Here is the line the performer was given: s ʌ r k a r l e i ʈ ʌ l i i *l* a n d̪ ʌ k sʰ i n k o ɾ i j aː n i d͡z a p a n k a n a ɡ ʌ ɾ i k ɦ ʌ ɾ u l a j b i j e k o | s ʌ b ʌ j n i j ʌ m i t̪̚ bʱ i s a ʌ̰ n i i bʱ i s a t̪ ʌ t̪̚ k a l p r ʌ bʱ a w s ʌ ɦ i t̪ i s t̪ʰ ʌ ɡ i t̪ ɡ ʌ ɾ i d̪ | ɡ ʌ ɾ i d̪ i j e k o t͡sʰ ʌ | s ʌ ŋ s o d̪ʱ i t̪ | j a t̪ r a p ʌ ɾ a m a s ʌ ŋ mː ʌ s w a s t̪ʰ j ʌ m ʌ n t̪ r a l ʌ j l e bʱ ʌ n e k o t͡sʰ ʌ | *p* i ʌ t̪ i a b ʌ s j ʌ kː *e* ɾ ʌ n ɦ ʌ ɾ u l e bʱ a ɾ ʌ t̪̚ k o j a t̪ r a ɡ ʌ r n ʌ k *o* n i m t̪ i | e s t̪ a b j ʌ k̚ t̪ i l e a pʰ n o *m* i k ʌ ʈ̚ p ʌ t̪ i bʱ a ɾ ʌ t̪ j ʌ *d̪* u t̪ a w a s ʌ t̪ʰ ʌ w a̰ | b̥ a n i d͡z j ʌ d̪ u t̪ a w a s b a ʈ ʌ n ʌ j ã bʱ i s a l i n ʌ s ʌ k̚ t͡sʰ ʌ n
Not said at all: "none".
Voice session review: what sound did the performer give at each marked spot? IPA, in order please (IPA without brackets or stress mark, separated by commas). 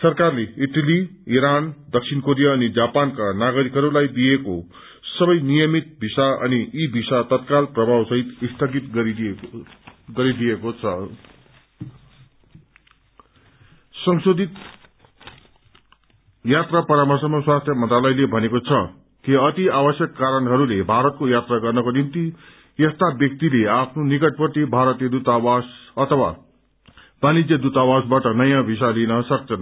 ɾ, k, a, o, n, d̪